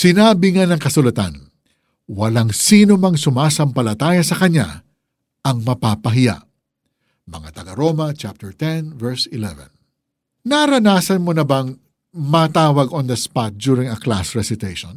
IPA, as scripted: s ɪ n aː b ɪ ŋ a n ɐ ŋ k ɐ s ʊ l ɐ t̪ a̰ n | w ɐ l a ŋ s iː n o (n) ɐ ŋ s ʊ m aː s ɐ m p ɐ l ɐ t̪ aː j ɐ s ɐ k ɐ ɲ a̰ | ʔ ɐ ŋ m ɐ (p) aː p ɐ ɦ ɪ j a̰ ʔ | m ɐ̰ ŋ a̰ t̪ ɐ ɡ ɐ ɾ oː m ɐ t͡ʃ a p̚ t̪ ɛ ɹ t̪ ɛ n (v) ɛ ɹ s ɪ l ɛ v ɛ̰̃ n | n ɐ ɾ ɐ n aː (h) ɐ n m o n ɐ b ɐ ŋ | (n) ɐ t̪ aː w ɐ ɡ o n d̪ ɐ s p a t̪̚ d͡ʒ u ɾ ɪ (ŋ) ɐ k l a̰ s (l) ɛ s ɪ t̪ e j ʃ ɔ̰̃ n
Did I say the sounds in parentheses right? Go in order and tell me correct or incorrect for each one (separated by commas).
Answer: incorrect, correct, correct, incorrect, incorrect, correct, incorrect